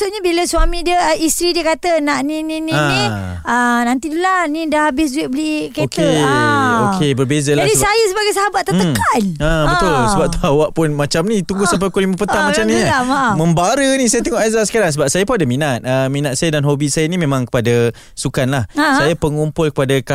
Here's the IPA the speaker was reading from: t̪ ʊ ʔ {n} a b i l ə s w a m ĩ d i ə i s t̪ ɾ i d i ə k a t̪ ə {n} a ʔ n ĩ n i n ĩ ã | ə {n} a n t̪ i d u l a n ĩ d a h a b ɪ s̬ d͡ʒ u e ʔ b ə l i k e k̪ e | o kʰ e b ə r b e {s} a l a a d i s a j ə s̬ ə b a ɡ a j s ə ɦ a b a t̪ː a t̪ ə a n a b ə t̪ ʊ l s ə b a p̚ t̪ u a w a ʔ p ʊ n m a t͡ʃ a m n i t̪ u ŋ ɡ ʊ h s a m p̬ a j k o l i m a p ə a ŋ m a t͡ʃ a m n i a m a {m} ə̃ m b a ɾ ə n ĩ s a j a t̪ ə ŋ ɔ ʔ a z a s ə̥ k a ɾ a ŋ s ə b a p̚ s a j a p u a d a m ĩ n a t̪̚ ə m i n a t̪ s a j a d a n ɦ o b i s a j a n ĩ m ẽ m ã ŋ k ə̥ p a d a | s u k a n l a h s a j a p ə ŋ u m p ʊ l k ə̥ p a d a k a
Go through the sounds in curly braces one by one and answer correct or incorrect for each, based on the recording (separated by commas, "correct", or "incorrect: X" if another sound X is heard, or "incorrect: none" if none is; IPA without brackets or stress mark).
incorrect: ɲ, correct, correct, incorrect: z, correct